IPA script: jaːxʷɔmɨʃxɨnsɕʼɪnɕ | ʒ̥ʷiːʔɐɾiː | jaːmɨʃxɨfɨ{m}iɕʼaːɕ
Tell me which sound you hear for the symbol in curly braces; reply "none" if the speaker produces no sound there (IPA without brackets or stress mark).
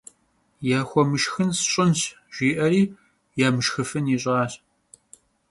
n